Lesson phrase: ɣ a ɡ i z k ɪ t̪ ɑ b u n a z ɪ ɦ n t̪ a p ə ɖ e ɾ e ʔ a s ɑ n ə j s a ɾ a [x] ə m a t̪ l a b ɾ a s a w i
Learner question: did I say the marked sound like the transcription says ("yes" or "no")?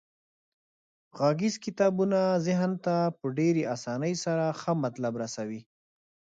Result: yes